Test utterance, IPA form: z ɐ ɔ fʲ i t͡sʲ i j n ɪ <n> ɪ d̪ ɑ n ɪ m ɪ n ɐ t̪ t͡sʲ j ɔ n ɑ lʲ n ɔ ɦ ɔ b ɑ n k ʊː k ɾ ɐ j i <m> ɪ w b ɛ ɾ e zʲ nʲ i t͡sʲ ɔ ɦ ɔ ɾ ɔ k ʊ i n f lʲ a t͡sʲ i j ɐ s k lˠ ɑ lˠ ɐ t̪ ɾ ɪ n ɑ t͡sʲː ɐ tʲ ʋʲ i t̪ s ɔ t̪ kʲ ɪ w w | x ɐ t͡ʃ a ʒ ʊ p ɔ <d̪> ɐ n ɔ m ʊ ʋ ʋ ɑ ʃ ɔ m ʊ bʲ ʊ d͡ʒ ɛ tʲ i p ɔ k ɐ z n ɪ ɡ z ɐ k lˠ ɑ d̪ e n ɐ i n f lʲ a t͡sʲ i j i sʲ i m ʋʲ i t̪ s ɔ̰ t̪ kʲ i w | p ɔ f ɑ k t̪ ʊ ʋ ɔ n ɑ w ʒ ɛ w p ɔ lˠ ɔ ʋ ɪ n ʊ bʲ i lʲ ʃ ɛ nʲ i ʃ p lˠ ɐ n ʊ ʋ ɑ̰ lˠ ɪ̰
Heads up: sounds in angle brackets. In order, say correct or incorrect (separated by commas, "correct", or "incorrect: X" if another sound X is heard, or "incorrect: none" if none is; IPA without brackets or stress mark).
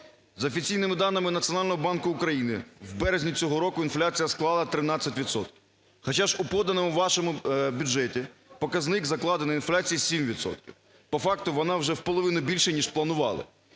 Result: incorrect: m, incorrect: n, correct